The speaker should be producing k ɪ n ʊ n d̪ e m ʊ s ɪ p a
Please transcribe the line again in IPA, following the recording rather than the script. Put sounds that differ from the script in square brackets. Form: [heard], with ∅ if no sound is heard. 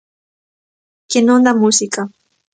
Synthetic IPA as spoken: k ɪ n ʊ n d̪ [a] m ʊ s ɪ [k] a